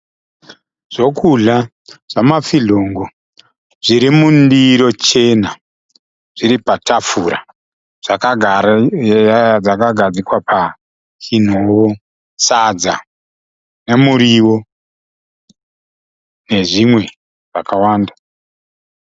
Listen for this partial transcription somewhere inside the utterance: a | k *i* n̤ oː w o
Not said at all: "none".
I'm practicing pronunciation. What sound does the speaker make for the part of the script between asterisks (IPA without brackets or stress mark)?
i